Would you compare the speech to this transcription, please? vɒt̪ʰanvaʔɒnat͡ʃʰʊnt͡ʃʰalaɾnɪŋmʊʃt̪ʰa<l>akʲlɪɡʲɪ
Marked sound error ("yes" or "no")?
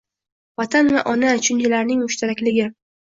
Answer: yes